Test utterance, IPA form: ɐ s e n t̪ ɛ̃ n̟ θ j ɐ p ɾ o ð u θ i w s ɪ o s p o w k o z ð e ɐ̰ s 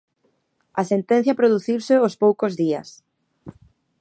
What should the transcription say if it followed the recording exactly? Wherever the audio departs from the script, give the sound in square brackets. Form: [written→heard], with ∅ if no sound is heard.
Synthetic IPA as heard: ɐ s e n t̪ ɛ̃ n̟ θ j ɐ p ɾ o ð u θ i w s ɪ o s p o w k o z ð [e→i] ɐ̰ s